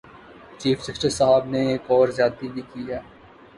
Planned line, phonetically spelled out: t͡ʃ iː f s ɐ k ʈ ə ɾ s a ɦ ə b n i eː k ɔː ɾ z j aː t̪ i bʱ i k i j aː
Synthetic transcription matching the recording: t͡ʃ iː f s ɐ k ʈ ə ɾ s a ɦ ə b n e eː k ɔː ɾ z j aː t̪ i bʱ i k i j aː